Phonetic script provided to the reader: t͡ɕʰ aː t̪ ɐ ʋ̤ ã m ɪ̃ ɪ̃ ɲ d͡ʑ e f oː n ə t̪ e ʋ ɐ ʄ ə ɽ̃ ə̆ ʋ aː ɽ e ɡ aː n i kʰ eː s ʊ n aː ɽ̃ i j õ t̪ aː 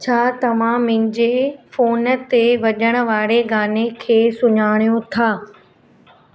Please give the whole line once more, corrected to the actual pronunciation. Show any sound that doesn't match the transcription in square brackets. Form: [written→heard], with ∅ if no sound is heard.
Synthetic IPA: t͡ɕʰ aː t̪ ɐ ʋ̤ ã m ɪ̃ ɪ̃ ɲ d͡ʑ e f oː n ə t̪ e ʋ ɐ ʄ ə ɽ̃ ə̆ ʋ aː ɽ e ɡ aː n [i→e] kʰ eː s ʊ [n→ɲ] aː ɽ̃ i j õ [t̪→t̪ʰ] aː

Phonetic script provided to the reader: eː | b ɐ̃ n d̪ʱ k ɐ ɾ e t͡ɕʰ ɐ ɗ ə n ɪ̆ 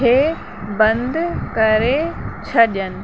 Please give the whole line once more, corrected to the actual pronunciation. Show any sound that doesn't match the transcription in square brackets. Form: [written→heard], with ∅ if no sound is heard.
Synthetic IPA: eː | b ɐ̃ n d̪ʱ k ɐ ɾ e t͡ɕʰ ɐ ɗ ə n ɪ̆

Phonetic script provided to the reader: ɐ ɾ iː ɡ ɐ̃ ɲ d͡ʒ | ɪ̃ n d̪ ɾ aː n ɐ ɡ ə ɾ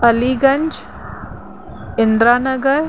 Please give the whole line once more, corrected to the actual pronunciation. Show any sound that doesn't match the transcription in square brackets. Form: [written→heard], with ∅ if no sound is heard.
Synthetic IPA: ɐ [ɾ→l] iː ɡ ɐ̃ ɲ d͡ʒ | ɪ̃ n d̪ ɾ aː n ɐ ɡ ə ɾ

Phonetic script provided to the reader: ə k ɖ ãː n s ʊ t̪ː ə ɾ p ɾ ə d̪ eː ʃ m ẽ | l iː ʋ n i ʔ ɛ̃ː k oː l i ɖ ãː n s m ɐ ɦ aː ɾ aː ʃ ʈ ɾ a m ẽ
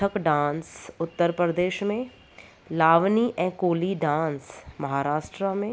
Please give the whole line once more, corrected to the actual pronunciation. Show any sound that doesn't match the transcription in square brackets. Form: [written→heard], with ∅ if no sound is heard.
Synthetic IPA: ə k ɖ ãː n s ʊ t̪ː ə ɾ p ɾ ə d̪ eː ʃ m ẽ | l [iː→aː] ʋ n i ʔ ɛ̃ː k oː l i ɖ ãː n s m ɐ ɦ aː ɾ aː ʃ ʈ ɾ a m ẽ

